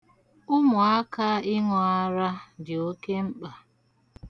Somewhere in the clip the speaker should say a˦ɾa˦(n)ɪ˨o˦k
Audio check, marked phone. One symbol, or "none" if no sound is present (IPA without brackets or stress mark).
d